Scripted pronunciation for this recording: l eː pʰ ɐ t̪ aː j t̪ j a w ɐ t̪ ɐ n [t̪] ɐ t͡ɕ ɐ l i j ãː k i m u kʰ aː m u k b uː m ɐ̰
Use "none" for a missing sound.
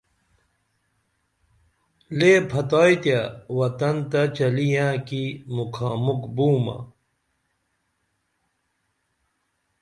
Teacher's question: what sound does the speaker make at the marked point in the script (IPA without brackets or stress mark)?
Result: t̪